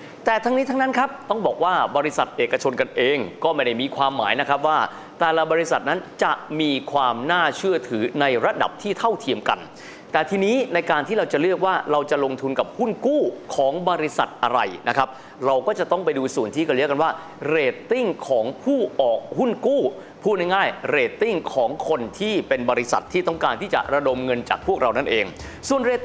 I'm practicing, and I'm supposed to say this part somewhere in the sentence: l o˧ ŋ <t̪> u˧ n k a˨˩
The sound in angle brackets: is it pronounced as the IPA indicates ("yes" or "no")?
no